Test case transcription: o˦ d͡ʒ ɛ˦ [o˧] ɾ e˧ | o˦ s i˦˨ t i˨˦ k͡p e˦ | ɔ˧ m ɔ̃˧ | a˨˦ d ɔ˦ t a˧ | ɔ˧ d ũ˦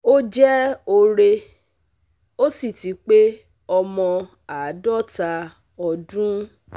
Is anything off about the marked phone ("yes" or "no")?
no